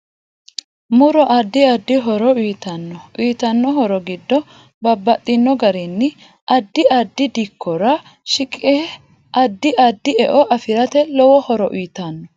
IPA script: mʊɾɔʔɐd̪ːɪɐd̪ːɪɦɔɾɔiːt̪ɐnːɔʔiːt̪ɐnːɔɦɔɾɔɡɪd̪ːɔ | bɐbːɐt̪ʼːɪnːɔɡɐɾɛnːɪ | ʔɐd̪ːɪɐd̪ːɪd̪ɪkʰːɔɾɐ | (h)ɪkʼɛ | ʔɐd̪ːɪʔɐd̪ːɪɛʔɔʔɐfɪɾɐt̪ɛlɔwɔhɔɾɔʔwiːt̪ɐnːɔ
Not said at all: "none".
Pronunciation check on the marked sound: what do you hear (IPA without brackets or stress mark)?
ʃ